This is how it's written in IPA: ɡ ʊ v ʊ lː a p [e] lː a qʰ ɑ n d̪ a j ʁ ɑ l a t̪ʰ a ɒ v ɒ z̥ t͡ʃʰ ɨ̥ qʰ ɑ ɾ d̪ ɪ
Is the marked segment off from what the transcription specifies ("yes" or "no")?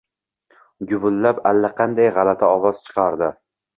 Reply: yes